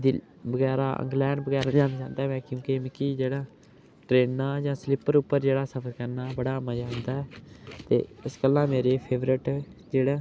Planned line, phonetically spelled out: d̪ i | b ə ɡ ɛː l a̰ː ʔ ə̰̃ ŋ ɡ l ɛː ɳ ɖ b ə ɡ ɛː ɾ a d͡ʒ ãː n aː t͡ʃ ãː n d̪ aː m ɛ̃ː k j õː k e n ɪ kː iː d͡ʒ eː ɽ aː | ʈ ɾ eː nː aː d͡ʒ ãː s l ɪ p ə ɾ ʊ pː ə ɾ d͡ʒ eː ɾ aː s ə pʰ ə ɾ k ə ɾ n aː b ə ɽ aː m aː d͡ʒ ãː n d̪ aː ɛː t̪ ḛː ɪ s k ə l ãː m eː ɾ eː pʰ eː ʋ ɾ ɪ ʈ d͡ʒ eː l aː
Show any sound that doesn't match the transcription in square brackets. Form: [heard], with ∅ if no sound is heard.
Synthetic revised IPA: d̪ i | b ə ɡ ɛː [ɾ] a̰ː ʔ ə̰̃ ŋ ɡ l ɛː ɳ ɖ b ə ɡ ɛː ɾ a d͡ʒ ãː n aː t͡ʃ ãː n d̪ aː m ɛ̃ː k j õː k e [m] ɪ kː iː d͡ʒ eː ɽ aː | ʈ ɾ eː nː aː d͡ʒ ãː s l ɪ p ə ɾ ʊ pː ə ɾ d͡ʒ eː [ɽ] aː s ə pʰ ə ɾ k ə ɾ n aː b ə ɽ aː m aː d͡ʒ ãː n d̪ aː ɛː t̪ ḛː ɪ s k ə l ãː m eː ɾ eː pʰ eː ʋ ɾ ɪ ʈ d͡ʒ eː [ɽ] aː